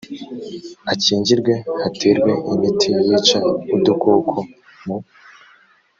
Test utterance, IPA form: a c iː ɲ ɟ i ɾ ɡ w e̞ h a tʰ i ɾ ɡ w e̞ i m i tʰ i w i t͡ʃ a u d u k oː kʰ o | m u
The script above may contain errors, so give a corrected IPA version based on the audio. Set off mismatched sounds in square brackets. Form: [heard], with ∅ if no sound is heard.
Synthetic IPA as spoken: a c iː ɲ ɟ i ɾ ɡ w e̞ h a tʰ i ɾ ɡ w e̞ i m i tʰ i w i t͡ʃ a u d u k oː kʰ o | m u